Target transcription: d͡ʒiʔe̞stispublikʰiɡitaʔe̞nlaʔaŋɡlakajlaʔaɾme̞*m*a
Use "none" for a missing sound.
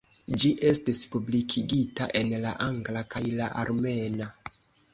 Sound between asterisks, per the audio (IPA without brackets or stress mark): n